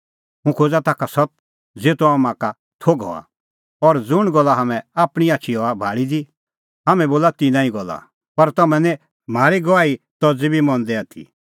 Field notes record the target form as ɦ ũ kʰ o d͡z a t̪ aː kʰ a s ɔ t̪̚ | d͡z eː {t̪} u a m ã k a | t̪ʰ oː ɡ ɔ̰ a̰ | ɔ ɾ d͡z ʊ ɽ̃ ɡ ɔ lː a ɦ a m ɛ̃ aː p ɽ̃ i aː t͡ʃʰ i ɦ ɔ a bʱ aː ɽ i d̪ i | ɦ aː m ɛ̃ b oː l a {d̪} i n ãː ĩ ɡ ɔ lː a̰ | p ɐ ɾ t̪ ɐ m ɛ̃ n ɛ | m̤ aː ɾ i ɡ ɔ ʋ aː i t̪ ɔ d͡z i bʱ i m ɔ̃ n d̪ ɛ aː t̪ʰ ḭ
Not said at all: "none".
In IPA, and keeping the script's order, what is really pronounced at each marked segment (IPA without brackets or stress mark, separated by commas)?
t̪, t̪